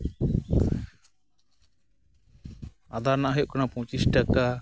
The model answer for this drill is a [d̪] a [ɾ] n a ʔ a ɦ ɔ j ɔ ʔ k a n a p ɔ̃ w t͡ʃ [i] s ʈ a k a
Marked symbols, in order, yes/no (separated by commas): yes, yes, yes